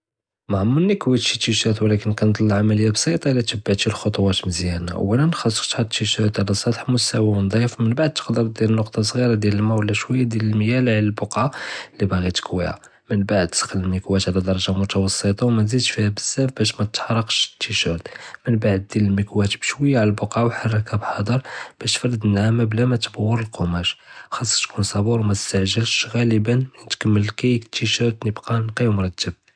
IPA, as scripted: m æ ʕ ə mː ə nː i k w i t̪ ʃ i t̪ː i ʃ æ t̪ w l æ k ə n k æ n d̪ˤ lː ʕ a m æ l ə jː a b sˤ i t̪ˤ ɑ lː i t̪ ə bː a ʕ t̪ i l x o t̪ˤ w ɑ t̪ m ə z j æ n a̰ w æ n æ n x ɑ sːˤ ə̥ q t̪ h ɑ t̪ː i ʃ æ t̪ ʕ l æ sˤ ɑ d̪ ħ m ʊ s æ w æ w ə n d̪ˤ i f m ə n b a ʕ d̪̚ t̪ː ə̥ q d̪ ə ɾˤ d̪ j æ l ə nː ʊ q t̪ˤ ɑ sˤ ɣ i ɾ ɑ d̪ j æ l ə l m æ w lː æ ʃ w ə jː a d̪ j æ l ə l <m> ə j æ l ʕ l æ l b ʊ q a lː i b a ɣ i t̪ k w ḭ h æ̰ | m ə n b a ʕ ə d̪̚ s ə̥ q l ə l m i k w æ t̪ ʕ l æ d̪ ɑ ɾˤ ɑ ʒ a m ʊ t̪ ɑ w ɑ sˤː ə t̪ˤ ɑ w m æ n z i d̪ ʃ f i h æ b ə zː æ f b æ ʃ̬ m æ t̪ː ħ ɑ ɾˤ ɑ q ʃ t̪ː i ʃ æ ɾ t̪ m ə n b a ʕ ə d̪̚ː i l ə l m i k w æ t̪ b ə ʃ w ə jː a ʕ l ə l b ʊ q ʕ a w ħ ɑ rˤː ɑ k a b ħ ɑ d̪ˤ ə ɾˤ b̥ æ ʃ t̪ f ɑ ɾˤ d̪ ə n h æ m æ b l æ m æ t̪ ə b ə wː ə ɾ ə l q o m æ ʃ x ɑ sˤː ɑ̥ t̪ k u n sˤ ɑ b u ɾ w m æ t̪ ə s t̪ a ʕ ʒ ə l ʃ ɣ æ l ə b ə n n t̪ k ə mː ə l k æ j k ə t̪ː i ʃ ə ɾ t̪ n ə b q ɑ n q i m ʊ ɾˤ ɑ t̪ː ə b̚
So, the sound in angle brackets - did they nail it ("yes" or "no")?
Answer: yes